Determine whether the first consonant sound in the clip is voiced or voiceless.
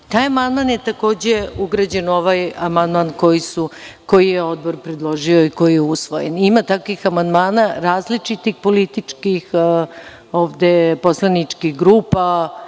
voiceless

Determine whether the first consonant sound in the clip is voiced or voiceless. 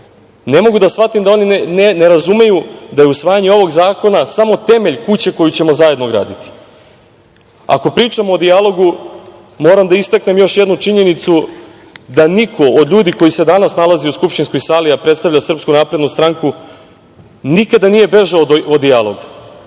voiced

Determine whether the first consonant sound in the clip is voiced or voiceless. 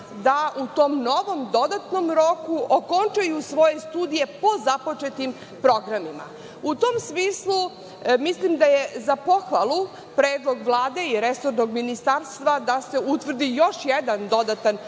voiced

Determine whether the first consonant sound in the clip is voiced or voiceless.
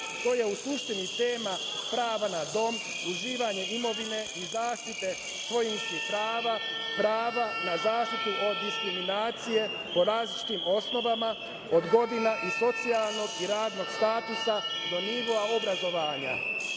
voiceless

